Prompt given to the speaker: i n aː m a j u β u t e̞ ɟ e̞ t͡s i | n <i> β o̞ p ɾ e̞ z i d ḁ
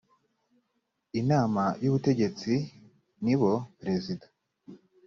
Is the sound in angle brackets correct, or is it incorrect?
correct